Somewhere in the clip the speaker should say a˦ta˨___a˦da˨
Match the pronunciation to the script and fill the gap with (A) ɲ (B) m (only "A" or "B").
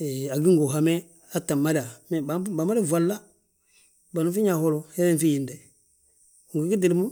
B